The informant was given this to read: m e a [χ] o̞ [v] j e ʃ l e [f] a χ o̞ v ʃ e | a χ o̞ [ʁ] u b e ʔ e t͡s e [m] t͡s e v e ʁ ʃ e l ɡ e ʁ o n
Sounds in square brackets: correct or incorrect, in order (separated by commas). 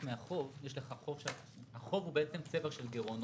correct, correct, incorrect, incorrect, correct